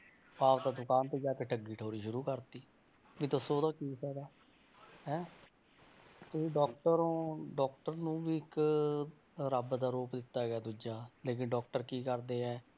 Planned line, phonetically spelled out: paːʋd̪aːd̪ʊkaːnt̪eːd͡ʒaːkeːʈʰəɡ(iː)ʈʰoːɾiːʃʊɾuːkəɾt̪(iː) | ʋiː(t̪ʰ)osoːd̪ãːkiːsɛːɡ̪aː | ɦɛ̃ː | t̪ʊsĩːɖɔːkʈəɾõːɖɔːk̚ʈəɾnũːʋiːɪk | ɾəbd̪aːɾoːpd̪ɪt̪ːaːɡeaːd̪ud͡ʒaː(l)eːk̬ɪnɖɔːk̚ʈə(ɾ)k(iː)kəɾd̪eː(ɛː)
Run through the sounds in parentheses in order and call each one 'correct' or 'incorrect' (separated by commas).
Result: correct, correct, incorrect, correct, correct, correct, correct